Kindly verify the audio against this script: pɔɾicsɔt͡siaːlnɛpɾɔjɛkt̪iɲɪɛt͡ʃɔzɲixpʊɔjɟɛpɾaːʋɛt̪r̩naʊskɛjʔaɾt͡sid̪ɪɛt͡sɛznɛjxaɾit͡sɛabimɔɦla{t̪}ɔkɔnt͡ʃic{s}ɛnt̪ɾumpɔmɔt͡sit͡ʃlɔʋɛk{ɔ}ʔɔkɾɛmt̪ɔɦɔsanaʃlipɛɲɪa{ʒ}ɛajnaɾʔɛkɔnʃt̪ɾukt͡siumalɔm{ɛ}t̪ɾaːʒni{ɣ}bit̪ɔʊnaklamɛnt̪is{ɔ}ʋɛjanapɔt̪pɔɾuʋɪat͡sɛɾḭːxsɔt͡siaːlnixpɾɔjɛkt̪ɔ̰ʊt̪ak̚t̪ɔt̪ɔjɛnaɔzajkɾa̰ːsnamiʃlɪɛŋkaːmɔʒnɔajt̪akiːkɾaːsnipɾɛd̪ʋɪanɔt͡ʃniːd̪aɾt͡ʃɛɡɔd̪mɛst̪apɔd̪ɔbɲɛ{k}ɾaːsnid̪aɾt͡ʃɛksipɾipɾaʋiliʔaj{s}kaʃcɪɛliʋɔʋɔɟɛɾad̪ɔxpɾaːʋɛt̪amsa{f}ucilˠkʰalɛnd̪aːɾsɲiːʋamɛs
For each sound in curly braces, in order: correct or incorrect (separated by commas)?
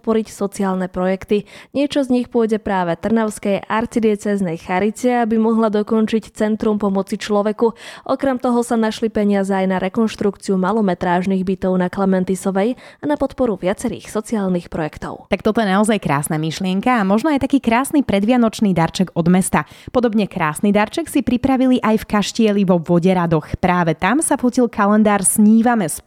incorrect, incorrect, incorrect, incorrect, correct, correct, correct, correct, incorrect, correct